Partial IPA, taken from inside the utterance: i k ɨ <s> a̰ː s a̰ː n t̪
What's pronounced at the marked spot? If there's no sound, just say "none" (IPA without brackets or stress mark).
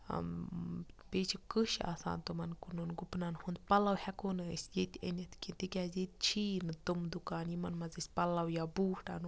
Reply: ʃ